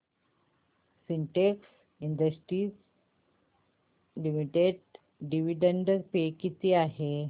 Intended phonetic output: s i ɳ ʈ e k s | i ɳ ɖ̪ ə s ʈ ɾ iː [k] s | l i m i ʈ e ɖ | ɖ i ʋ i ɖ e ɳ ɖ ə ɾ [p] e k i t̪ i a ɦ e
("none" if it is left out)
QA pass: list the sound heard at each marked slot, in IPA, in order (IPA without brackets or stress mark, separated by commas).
none, p